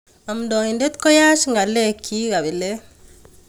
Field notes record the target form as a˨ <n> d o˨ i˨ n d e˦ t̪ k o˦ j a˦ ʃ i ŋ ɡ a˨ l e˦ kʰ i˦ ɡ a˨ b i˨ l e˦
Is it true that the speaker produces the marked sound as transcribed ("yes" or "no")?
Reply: no